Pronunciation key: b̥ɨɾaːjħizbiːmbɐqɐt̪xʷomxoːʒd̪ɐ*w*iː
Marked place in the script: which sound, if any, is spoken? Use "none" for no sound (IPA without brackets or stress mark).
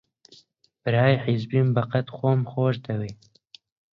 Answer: w